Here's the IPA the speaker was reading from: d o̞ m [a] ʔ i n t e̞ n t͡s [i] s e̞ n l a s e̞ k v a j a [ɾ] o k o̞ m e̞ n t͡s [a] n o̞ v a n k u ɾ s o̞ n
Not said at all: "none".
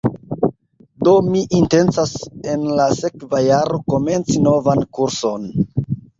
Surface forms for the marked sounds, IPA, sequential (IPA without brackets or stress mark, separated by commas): i, a, ɾ, i